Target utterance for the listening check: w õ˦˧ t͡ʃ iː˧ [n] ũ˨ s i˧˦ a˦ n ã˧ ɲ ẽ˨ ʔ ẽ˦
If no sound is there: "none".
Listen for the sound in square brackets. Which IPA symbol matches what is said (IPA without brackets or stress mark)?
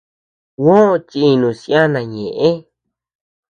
n